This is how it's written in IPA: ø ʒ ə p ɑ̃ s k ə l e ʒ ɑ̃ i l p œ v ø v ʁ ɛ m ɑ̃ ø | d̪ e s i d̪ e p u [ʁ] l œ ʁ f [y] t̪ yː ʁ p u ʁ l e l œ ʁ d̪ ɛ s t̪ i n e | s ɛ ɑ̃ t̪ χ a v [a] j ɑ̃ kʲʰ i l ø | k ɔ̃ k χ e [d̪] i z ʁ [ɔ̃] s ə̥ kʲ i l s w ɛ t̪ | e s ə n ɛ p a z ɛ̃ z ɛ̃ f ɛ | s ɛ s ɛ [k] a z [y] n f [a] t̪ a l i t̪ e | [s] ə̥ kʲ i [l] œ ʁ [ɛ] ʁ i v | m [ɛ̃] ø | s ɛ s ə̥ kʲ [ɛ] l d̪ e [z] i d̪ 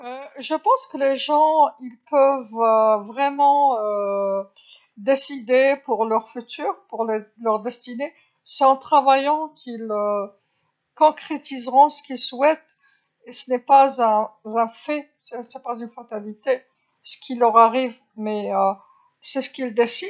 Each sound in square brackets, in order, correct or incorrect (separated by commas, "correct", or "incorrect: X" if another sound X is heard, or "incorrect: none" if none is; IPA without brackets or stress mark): correct, correct, correct, incorrect: t̪, correct, incorrect: p, correct, correct, correct, correct, incorrect: a, incorrect: ɛ, incorrect: i, incorrect: s